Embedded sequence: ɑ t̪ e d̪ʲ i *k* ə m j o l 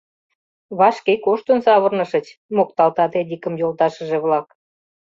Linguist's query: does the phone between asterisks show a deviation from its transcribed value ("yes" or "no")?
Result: no